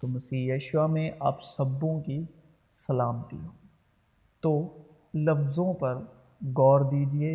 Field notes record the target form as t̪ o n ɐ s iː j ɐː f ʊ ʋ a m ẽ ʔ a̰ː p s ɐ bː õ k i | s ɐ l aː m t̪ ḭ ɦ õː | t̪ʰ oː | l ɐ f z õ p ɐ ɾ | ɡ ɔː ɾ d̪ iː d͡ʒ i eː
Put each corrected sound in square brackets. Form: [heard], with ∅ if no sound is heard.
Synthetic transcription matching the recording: t̪ o [m] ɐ s iː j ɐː [ʃ] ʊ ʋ a m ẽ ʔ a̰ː p s ɐ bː õ k i | s ɐ l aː m t̪ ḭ ɦ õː | [t̪] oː | l ɐ f z õ p ɐ ɾ | ɡ ɔː ɾ d̪ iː d͡ʒ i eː